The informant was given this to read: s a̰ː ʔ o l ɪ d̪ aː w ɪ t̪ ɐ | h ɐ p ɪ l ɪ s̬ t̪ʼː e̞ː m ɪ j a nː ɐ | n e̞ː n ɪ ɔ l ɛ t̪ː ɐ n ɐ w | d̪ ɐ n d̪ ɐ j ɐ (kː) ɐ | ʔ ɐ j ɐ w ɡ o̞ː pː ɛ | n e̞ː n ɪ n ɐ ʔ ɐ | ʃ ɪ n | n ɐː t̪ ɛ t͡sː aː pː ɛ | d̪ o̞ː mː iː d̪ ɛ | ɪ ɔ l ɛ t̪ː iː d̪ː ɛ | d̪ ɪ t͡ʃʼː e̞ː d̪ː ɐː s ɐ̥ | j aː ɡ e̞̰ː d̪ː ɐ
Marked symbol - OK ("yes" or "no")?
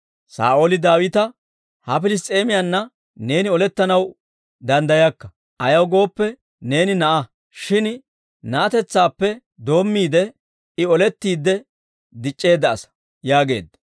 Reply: yes